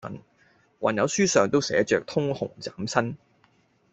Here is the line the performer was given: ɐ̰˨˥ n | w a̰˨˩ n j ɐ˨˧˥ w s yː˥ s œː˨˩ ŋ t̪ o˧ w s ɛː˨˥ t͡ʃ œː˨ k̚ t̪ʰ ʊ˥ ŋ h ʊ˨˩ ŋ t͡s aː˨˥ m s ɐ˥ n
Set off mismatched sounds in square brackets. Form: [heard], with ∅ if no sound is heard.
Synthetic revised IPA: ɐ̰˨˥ n | w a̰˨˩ n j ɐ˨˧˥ w s yː˥ s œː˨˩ ŋ t̪ [o˥] w s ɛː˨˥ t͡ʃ œː˨ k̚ t̪ʰ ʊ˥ ŋ h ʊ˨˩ ŋ t͡s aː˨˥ m s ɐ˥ n